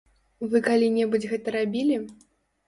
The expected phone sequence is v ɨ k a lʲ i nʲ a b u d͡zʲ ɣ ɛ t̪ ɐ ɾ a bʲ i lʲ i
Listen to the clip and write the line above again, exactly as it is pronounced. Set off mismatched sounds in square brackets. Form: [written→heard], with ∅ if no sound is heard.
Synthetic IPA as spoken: v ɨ k a lʲ i nʲ [a→ɛ] b u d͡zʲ ɣ ɛ t̪ ɐ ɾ a bʲ i lʲ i